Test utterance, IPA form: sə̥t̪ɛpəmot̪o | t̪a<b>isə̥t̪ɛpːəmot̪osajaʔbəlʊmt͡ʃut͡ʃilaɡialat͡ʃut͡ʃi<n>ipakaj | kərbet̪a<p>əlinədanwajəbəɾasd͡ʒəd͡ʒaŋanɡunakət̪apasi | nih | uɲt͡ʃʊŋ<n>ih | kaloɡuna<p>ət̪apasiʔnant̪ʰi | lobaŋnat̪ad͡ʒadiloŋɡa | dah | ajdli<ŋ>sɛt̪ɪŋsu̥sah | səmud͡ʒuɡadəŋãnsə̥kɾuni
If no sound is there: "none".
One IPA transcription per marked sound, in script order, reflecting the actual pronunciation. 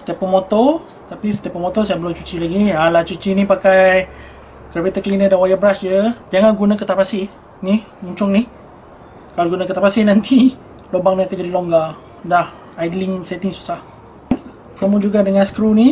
p, n, k, n, k, ŋ

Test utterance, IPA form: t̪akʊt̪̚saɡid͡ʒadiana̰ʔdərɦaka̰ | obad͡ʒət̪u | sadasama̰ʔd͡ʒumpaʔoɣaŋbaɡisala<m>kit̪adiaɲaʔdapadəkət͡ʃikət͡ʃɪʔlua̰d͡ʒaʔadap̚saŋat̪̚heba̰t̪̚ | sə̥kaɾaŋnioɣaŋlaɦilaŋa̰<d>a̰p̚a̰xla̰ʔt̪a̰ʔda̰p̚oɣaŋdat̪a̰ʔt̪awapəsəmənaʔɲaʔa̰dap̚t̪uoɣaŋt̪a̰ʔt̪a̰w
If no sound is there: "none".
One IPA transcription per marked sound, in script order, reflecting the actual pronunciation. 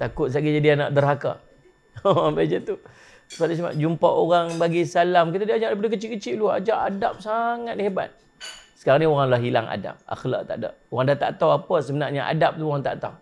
m, d

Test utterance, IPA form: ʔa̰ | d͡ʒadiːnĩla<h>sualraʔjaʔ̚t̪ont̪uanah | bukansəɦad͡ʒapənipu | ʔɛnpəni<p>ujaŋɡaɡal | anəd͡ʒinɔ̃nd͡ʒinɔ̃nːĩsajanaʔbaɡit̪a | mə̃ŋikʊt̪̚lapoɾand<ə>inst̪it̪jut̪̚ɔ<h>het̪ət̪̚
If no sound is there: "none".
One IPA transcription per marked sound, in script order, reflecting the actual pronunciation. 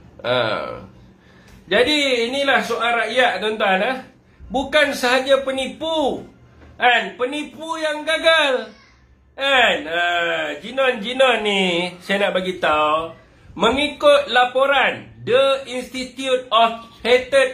h, p, ə, f

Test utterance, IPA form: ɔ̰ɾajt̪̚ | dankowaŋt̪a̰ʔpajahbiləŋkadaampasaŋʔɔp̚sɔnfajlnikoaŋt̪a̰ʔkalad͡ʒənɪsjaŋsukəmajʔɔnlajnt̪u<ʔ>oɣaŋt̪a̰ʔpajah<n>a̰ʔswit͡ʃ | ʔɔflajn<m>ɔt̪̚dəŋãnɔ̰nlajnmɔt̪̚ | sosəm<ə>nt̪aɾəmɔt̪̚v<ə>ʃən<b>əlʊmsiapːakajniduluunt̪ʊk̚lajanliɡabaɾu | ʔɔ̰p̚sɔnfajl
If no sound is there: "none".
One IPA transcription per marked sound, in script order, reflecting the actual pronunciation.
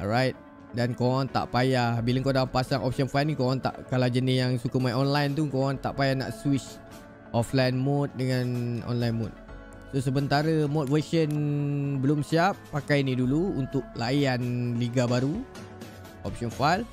k, n, m, ə, ə, b

